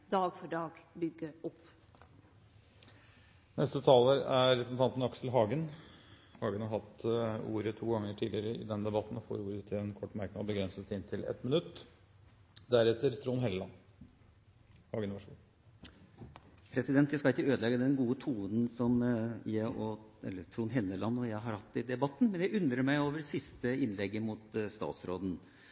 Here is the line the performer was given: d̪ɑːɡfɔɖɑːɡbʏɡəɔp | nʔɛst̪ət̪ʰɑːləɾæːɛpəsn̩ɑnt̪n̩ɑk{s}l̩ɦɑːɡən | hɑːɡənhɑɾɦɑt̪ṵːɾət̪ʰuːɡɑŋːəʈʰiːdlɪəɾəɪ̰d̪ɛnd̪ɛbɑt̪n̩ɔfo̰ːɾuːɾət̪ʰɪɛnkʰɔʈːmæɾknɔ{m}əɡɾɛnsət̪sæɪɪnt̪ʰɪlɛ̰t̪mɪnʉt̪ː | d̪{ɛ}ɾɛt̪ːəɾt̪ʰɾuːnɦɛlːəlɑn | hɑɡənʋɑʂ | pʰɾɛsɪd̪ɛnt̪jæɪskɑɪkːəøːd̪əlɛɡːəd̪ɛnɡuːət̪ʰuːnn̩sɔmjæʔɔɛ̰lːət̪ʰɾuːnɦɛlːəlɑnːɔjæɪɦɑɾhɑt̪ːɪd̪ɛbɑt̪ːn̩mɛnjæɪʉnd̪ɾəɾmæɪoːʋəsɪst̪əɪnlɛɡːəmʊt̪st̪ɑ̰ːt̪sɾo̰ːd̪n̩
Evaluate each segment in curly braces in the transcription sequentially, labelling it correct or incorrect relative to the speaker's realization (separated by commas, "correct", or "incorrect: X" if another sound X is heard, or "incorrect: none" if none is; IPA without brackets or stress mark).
correct, incorrect: b, incorrect: æ